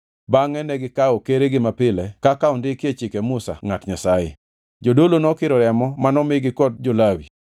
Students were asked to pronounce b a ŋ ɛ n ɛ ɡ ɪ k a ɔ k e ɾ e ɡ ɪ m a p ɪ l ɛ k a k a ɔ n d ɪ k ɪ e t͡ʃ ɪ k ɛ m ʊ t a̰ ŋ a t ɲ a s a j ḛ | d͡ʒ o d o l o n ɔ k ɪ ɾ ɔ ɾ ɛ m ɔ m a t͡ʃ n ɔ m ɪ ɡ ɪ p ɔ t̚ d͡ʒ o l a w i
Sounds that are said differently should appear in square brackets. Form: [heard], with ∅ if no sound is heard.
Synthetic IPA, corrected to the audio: b a ŋ ɛ n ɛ ɡ ɪ k a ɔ k e ɾ e ɡ ɪ m a p ɪ l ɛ k a k a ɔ n d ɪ k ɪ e t͡ʃ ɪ k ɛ m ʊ [s] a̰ ŋ a t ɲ a s a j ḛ | d͡ʒ o d o l o n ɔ k ɪ ɾ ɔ ɾ ɛ m ɔ m a [∅] n ɔ m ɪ ɡ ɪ [k] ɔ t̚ d͡ʒ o l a w i